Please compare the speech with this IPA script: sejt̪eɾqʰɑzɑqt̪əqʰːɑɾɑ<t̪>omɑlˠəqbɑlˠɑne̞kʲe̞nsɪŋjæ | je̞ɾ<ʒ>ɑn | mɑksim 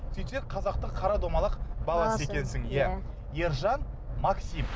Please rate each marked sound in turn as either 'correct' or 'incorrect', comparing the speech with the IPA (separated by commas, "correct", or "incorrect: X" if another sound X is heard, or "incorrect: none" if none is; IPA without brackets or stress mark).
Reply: incorrect: d̪, correct